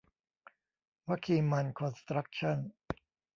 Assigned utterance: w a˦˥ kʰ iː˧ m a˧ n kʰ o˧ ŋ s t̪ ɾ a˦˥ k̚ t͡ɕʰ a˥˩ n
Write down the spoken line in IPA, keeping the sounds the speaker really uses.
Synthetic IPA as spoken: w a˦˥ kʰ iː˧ m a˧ n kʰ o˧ n s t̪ ɾ a˦˥ k̚ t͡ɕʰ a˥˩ n